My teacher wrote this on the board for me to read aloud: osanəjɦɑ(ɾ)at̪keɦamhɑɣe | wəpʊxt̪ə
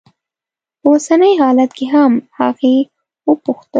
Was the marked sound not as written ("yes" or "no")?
yes